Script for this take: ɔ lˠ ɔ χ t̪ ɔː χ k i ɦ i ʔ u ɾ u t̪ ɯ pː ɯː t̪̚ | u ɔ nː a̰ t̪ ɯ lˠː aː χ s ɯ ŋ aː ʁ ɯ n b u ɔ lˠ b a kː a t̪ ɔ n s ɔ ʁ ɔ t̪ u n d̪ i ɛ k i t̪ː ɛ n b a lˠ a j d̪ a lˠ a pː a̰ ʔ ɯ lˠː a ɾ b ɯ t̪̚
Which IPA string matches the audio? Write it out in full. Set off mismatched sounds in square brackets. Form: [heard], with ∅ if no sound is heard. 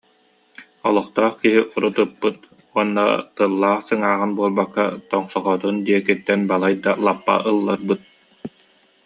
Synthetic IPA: ɔ lˠ ɔ χ t̪ ɔː χ k i ɦ i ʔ u ɾ u t̪ ɯ pː [ɯ] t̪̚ | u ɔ nː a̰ t̪ ɯ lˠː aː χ s ɯ ŋ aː ʁ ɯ n b u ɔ lˠ b a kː a t̪ ɔ [ŋ] s ɔ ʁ ɔ t̪ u n d̪ i ɛ k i t̪ː ɛ n b a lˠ a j d̪ a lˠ a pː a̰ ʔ ɯ lˠː a ɾ b ɯ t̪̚